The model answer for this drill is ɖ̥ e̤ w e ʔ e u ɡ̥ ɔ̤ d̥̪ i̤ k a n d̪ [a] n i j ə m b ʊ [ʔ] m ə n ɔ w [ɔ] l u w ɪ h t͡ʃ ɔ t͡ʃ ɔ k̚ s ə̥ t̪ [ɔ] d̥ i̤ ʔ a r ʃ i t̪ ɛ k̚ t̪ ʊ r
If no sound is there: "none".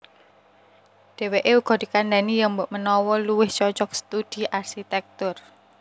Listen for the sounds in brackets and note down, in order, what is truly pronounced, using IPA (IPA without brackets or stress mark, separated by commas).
a, ʔ, ɔ, u